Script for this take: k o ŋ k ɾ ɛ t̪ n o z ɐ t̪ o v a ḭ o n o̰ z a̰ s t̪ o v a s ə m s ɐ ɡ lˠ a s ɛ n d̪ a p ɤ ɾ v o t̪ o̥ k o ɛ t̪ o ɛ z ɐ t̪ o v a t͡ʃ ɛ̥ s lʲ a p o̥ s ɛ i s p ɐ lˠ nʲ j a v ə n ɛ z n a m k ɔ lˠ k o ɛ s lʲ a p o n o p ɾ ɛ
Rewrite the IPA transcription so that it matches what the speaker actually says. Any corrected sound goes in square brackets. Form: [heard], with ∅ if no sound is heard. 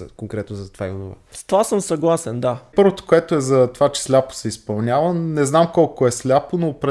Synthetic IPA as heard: k o ŋ k ɾ ɛ t̪ n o z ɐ t̪ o v a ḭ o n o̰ [v] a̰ s t̪ o v a s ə m s ɐ ɡ lˠ a s ɛ n d̪ a p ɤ ɾ v o t̪ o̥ k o ɛ t̪ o ɛ z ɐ t̪ o v a t͡ʃ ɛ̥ s lʲ a p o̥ s ɛ i s p ɐ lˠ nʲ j a v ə n ɛ z n a m k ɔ lˠ k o ɛ s lʲ a p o n o p ɾ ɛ